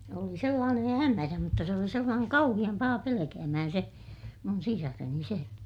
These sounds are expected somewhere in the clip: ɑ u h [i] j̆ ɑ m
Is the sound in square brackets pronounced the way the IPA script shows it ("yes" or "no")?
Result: yes